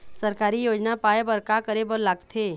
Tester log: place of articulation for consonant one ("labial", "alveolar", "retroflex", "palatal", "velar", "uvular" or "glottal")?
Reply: alveolar